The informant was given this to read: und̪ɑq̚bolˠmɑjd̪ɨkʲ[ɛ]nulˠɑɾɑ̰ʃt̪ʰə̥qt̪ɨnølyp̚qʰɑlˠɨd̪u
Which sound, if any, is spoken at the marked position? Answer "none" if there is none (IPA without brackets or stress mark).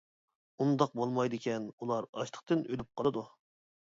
ɛ